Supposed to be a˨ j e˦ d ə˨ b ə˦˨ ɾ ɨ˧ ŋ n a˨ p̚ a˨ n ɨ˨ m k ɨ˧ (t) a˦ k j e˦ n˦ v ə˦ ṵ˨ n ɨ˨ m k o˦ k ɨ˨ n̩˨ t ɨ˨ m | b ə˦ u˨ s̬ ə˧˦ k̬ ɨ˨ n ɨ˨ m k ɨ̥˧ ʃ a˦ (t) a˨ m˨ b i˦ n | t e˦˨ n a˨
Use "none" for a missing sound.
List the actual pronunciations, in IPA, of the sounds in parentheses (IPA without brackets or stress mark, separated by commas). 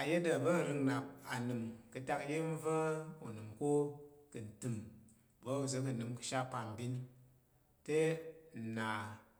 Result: t, p